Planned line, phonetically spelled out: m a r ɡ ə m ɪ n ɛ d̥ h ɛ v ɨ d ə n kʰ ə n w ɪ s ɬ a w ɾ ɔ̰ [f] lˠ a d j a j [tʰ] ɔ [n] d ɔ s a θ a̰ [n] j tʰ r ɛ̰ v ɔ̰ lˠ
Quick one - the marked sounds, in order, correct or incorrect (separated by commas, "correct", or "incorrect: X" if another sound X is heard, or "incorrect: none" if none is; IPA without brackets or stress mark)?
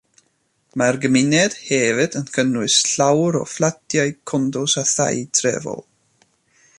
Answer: correct, incorrect: kʰ, correct, incorrect: none